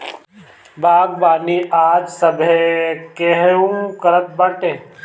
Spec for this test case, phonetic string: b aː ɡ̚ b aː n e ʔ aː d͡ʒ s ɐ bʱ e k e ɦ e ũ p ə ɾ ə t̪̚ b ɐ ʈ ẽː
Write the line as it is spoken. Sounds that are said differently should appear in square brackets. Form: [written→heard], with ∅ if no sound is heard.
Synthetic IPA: b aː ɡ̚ b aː n [e→i] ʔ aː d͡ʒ s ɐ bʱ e k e ɦ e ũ [p→k] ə ɾ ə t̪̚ b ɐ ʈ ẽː